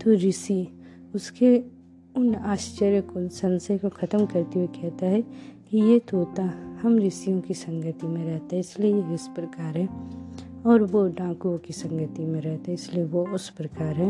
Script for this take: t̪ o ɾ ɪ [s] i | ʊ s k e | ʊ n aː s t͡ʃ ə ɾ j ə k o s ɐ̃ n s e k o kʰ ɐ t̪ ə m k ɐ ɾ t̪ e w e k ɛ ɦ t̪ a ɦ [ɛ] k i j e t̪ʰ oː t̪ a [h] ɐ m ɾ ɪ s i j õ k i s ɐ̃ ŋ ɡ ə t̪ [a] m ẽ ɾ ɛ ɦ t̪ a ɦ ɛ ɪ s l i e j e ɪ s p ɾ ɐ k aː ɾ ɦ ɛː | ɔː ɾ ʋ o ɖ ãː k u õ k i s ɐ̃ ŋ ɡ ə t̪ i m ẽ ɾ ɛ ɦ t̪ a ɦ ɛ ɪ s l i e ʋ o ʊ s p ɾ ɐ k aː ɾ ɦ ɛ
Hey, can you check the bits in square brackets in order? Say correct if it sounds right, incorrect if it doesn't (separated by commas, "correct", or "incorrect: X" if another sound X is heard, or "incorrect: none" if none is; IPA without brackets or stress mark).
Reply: correct, correct, correct, incorrect: i